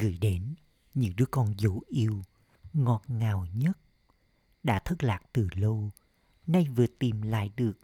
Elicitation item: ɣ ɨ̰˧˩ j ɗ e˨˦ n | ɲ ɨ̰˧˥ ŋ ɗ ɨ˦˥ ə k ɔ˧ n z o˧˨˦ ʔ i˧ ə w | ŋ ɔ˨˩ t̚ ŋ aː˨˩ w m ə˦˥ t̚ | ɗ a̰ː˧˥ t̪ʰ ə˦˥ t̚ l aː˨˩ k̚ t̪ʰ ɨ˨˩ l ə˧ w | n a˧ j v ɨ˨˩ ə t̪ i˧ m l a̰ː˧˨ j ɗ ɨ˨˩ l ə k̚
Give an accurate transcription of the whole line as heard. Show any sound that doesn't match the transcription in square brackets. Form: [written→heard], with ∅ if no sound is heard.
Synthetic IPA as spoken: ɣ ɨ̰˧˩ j ɗ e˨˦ n | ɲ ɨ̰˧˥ ŋ ɗ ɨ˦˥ ə k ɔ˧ n z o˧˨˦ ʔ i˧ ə w | ŋ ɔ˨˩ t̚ ŋ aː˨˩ w [m→ɲ] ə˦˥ t̚ | ɗ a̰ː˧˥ t̪ʰ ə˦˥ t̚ l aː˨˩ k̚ [t̪ʰ→t̪] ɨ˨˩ l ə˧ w | n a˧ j v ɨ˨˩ ə t̪ [i˧→i˨˩] m l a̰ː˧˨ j ɗ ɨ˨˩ [l→∅] ə k̚